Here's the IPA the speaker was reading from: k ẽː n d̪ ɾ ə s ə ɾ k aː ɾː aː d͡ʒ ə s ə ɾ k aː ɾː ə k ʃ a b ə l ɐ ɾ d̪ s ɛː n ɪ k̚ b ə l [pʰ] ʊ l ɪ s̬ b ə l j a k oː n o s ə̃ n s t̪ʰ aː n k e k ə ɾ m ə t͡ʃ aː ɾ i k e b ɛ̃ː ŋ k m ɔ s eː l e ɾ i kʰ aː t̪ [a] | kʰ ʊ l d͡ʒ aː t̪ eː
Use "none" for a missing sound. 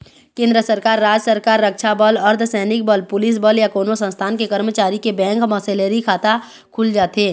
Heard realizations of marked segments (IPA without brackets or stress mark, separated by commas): p, a